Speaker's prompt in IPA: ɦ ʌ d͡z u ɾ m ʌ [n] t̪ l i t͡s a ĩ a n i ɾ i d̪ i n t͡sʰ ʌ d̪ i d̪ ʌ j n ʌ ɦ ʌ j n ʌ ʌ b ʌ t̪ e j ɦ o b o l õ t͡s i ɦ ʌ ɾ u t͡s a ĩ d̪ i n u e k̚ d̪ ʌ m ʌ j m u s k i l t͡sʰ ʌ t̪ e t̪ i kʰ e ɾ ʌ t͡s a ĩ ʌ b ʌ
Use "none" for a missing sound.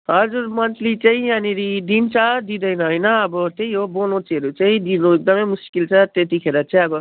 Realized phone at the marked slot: n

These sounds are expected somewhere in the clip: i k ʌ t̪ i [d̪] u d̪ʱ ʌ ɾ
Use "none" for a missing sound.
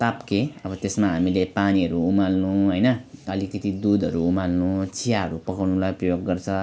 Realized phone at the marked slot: d̪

